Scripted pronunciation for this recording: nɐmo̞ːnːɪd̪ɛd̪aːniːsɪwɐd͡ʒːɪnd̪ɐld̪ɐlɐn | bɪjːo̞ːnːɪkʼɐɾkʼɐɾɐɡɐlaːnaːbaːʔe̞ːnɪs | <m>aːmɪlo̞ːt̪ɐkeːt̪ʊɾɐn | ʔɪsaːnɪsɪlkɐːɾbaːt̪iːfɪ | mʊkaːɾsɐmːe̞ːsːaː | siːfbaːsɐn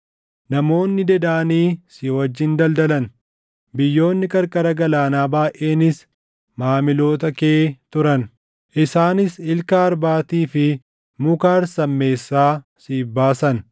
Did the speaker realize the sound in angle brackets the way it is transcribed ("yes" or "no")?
yes